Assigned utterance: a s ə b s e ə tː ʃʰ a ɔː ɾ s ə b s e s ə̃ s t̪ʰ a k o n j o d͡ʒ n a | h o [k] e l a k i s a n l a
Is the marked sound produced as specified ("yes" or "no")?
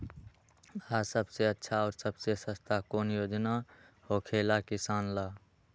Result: no